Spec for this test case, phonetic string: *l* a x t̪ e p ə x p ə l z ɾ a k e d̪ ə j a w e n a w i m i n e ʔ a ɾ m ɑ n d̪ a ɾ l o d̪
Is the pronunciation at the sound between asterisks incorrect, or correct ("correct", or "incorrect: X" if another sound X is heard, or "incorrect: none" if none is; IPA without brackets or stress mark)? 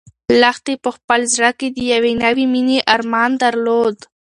correct